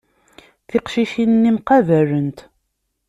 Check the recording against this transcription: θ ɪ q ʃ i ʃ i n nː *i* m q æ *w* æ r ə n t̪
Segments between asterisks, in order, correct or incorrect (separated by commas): correct, incorrect